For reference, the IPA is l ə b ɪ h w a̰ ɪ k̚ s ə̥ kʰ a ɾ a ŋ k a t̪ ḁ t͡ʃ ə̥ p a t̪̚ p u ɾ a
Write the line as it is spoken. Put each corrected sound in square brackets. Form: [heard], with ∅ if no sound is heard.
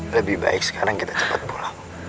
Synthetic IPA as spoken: l ə b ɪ h [b] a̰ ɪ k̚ s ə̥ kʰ a ɾ a ŋ k [i] t̪ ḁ t͡ʃ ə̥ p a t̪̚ p u [l] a